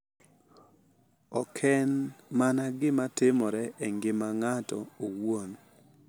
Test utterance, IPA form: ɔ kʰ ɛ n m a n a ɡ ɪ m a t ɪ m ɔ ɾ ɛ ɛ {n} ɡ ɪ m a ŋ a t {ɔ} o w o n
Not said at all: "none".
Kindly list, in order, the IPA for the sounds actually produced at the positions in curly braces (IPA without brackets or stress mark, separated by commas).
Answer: ŋ, ɔ